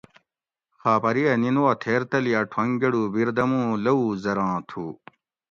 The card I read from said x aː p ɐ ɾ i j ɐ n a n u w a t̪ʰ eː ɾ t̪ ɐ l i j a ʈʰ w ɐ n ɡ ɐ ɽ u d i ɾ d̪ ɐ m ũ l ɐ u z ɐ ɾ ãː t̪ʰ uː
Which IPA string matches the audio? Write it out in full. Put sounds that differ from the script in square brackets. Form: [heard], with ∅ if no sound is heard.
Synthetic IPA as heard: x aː p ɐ ɾ i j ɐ n [i] n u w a t̪ʰ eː ɾ t̪ ɐ l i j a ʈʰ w ɐ [ŋ] ɡ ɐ ɽ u [b] i ɾ d̪ ɐ m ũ l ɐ u z ɐ ɾ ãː t̪ʰ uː